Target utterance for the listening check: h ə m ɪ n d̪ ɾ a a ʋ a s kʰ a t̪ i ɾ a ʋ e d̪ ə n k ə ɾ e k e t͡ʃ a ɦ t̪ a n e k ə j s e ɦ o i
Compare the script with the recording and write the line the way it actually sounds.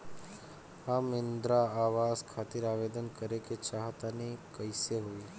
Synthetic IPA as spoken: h a m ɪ n d̪ ɾ a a ʋ a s kʰ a t̪ i ɾ a ʋ e d̪ ə n k ə ɾ e k e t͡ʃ a ɦ t̪ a n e k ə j s e ɦ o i